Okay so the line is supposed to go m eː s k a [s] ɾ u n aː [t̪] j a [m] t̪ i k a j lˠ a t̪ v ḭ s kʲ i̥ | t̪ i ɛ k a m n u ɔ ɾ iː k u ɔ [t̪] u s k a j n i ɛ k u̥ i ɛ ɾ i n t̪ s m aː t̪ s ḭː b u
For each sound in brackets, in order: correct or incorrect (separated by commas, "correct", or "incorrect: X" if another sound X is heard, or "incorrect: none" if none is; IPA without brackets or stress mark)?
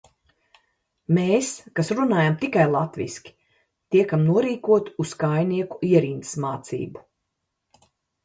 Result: correct, incorrect: none, correct, correct